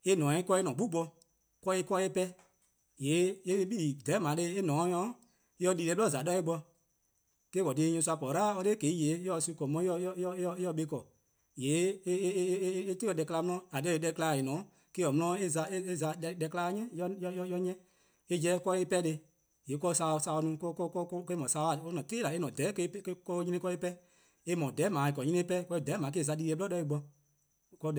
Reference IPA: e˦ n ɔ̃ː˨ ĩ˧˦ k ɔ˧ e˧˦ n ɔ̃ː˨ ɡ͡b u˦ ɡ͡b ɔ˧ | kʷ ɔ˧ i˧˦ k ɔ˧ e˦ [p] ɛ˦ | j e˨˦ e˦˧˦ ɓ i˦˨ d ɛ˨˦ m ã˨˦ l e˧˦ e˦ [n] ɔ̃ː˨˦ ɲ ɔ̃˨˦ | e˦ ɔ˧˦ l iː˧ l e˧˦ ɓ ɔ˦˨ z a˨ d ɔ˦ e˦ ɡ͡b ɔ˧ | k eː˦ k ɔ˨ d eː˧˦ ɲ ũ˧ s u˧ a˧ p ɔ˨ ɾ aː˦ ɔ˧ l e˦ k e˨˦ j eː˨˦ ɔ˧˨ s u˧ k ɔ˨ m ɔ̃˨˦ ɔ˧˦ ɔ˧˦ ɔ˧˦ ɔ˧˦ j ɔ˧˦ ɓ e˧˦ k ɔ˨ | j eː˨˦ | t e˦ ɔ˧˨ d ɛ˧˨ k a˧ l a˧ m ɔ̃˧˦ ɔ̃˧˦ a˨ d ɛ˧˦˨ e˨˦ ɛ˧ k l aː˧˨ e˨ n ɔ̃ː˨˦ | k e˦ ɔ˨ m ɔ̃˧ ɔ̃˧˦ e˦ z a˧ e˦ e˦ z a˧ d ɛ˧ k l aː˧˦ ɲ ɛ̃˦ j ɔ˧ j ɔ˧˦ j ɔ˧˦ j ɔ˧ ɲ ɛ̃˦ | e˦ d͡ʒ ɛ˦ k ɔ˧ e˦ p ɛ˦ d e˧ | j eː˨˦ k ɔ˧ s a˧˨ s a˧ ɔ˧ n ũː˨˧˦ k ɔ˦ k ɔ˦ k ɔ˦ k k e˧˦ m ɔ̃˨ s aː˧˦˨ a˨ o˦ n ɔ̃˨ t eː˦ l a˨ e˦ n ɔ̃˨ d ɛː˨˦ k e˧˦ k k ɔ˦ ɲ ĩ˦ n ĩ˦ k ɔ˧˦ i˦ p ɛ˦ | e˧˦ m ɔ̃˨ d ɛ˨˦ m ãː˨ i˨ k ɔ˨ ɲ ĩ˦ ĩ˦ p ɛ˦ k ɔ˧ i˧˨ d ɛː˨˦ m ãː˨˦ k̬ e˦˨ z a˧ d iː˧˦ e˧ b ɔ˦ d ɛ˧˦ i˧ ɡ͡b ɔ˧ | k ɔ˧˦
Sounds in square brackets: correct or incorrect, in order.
correct, correct

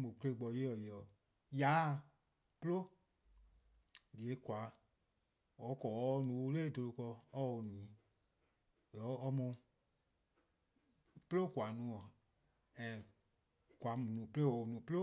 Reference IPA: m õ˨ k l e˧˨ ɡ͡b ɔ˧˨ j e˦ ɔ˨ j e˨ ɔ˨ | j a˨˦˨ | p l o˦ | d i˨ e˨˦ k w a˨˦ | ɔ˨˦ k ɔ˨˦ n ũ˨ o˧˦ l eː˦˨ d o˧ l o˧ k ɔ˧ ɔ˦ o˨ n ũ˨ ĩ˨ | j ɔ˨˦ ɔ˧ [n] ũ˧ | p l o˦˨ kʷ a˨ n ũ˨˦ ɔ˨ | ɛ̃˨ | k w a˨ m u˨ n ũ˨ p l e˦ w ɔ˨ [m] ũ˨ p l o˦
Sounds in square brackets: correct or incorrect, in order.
incorrect: m, incorrect: n

